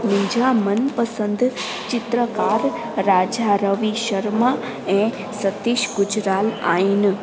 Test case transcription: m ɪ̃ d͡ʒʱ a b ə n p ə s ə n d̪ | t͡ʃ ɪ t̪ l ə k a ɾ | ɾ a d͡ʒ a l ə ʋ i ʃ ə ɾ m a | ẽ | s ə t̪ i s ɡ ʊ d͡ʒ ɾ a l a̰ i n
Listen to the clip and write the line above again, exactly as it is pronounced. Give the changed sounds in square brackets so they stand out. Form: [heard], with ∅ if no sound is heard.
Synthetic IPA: m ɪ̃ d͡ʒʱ a [m] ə n p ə s ə n d̪ | t͡ʃ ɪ t̪ [ɾ] ə k a ɾ | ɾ a d͡ʒ a [ɾ] ə ʋ i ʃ ə ɾ m a | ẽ | s ə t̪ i [ʃ] ɡ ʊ d͡ʒ ɾ a l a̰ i n